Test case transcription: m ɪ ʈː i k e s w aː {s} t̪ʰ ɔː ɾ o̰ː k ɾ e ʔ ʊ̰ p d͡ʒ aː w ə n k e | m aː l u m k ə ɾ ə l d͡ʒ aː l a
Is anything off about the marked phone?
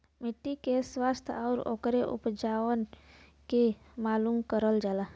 no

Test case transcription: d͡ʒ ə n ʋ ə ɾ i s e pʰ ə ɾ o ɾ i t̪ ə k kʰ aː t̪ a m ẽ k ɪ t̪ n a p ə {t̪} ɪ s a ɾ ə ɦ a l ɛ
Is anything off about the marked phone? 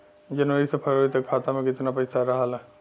yes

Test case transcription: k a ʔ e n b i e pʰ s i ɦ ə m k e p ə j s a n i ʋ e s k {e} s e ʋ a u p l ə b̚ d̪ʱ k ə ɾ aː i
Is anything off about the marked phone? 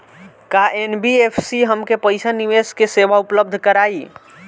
no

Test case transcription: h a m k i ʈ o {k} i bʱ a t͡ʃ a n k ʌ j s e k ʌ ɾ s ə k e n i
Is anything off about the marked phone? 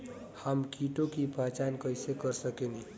no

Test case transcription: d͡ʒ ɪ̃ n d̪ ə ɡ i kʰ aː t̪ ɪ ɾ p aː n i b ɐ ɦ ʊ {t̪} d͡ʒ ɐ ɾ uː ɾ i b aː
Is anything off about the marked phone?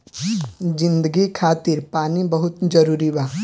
no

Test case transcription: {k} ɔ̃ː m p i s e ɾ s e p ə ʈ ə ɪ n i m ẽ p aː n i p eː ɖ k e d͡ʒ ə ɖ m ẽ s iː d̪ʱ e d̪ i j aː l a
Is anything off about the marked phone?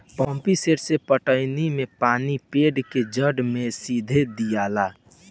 yes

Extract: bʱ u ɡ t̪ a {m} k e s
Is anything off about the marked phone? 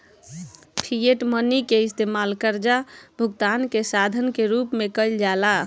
yes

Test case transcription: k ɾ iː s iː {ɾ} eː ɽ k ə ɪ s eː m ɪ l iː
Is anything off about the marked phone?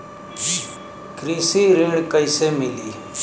no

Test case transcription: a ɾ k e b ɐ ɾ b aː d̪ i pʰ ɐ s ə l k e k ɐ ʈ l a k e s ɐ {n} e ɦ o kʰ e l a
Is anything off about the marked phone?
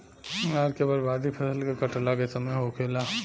yes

